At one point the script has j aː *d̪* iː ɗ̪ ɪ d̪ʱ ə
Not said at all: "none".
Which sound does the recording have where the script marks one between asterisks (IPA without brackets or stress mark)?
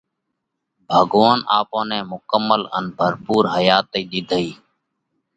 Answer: t̪